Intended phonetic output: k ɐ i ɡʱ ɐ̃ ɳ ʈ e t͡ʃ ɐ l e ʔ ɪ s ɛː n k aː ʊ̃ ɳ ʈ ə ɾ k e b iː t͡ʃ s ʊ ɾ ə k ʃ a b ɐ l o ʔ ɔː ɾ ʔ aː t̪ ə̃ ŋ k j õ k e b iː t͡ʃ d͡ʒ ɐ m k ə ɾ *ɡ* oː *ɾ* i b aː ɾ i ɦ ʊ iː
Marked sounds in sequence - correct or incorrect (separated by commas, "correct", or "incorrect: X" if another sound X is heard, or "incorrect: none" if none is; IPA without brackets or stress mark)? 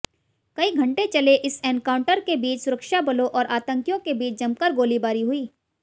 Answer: correct, incorrect: l